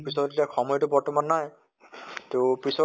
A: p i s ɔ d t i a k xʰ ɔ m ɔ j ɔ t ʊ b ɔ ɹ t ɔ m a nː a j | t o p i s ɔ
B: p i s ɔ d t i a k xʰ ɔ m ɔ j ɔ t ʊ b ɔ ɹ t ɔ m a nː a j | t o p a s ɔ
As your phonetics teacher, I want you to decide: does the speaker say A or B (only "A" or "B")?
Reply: A